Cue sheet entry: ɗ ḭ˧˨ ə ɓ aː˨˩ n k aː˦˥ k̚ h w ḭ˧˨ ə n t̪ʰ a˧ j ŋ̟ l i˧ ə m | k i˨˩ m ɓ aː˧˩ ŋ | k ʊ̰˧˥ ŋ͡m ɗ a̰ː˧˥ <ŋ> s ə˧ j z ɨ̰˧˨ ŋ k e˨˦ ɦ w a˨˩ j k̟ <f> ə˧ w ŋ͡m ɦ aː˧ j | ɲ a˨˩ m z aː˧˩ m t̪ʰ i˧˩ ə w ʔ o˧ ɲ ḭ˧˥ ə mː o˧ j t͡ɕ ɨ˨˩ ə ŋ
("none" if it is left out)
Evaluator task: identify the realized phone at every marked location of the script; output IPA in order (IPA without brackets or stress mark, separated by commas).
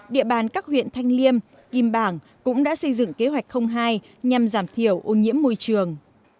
none, x